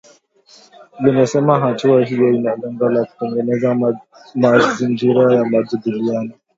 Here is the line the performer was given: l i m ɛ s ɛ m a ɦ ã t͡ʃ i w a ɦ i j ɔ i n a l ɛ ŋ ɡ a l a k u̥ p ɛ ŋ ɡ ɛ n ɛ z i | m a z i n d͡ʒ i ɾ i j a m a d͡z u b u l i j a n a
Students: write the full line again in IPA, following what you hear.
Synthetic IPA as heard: l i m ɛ s ɛ m a ɦ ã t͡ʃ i w a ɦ i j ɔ i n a l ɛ ŋ ɡ a l a k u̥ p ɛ ŋ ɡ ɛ n ɛ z a | m a z i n d͡ʒ i ɾ a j a m a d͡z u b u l i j a n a